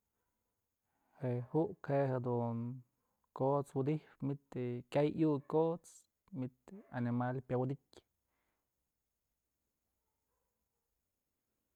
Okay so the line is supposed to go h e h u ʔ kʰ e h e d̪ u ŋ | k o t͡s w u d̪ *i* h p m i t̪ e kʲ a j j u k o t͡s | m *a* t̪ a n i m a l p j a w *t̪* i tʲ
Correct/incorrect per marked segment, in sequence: correct, incorrect: i, incorrect: d̪

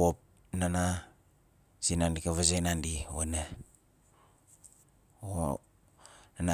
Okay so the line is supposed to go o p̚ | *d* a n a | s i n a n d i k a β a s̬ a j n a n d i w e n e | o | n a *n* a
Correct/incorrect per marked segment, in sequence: incorrect: n, correct

